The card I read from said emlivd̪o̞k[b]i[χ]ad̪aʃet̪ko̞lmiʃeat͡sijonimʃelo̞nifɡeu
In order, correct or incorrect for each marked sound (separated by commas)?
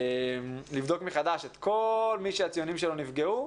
incorrect, correct